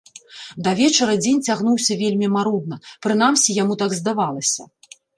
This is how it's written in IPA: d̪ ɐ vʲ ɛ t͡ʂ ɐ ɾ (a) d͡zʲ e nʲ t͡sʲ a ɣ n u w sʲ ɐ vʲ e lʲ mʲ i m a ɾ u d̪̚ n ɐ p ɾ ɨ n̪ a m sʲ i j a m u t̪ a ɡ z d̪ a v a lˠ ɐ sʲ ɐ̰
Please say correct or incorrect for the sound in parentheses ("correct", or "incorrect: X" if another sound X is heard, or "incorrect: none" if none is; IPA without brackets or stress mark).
incorrect: ɐ